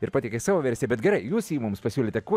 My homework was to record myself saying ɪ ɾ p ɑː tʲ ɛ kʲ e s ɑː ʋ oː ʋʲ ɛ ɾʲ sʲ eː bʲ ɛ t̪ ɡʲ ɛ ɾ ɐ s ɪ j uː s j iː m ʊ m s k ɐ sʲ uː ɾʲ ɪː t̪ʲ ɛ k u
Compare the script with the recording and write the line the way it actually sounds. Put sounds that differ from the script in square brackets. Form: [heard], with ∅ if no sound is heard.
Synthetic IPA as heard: ɪ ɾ p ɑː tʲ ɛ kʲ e s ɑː ʋ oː ʋʲ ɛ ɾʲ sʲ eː bʲ ɛ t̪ ɡʲ ɛ ɾ ɐ [∅] ɪ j uː s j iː m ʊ m s [p] ɐ sʲ uː [lʲ] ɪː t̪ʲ ɛ k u